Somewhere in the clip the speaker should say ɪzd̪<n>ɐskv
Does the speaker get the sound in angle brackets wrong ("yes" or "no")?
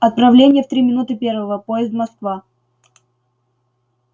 yes